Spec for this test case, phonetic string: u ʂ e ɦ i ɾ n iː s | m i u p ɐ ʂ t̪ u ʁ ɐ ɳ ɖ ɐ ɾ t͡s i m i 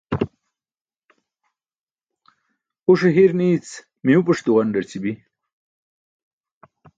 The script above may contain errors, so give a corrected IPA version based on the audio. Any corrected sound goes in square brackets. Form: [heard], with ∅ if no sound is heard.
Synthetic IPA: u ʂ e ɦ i ɾ n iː [t͡s] | m i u p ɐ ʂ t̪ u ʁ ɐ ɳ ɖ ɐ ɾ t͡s i [b] i